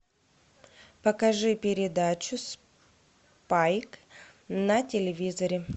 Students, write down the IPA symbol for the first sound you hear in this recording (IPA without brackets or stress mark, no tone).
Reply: p